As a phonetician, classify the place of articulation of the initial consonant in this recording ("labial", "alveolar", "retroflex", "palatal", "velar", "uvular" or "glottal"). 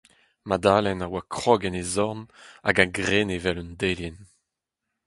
labial